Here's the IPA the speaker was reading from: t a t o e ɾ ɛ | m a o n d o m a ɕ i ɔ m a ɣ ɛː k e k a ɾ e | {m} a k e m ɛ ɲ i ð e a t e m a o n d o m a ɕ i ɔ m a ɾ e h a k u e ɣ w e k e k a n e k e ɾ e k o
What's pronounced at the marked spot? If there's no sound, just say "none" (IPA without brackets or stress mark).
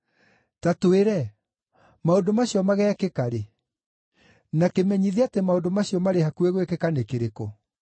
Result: n